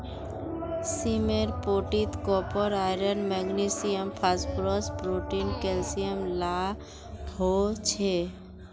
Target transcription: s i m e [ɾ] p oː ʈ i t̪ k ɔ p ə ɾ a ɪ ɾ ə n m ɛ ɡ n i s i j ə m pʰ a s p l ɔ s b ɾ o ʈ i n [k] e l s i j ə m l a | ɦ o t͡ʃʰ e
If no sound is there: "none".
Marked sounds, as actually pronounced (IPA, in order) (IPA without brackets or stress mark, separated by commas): ɾ, k